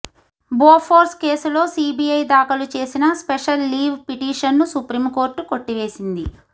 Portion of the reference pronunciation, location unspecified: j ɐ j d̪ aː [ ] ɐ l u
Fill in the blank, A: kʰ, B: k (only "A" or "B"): B